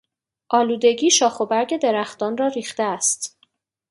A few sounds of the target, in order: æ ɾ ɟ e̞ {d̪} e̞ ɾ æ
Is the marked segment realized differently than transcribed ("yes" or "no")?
no